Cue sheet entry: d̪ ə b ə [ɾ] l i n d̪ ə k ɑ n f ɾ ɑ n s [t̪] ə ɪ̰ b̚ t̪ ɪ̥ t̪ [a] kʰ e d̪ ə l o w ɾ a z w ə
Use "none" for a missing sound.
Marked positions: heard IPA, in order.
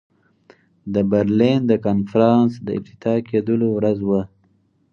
ɾ, d̪, ɑ

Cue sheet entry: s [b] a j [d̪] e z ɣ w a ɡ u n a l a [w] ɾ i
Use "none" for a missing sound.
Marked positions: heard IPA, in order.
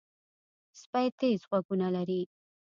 p, t̪, none

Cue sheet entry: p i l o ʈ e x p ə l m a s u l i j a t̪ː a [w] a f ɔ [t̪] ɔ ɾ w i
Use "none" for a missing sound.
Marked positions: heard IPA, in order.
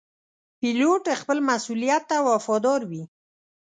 w, d̪

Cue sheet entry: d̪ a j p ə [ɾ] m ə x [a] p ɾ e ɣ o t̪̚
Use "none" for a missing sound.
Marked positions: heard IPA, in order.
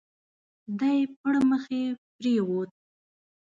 ɽ, e

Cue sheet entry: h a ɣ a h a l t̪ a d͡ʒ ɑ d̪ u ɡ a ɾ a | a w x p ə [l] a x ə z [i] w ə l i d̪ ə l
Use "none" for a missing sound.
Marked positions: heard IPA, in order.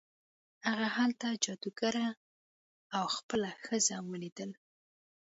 l, a

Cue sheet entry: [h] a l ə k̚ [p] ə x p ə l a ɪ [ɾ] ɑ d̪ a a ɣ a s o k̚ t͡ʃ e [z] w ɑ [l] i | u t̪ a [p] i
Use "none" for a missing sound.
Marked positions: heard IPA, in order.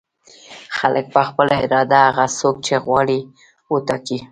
x, p, ɾ, ɣ, ɽ, k

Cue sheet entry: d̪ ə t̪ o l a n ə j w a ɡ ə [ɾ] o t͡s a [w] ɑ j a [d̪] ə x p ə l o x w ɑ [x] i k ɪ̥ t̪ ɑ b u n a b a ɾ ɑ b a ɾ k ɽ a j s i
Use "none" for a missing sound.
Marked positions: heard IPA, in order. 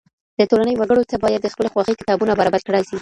ɽ, b, d̪ː, x

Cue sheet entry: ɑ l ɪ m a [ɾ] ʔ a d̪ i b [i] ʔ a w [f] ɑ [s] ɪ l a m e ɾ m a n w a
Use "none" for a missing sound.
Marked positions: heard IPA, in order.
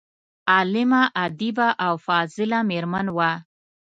none, a, f, z

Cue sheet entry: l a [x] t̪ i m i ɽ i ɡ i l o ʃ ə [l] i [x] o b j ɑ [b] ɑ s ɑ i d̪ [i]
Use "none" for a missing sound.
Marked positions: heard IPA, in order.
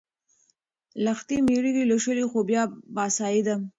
x, l, x, b, a

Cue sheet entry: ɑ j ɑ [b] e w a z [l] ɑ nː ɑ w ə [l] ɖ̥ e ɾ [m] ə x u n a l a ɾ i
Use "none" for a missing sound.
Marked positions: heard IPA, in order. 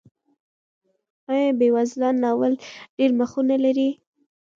b, l, l, m

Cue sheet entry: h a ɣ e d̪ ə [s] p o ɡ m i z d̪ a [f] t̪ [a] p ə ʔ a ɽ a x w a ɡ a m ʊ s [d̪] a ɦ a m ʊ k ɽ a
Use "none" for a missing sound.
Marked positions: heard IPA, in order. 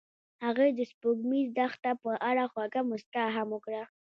s, x, a, t̪

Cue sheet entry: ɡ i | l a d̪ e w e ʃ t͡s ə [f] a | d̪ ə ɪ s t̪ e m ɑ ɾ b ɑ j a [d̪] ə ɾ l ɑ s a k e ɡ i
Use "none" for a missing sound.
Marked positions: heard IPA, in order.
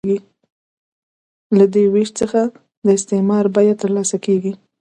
x, t̪

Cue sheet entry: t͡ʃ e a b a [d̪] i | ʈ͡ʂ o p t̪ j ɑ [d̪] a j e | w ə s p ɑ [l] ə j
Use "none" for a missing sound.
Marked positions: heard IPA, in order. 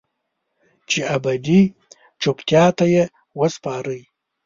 d̪, t̪, ɾ

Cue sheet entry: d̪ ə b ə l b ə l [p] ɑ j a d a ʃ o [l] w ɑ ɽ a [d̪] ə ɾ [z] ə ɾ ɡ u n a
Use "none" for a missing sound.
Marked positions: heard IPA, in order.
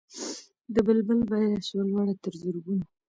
b, l, t̪, z

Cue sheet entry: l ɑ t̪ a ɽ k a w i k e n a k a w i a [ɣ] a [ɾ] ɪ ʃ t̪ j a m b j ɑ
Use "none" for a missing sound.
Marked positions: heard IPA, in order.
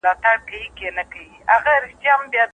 ɣ, ɾ

